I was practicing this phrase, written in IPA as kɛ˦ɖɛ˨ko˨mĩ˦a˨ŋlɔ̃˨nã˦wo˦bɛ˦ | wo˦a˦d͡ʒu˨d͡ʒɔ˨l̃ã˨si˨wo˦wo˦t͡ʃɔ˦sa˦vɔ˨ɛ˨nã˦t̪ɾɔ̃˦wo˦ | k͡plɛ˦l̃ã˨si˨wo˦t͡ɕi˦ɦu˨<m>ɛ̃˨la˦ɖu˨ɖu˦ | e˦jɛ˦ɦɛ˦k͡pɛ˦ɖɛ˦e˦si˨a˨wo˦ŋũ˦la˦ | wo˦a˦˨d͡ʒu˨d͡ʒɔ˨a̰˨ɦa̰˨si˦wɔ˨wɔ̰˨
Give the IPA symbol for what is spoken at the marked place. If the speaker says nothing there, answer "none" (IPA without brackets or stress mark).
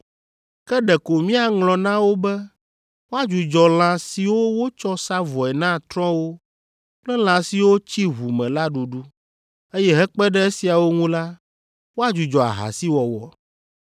m